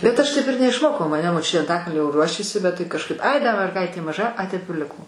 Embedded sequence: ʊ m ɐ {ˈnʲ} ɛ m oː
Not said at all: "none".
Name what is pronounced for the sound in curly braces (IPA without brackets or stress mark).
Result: nʲ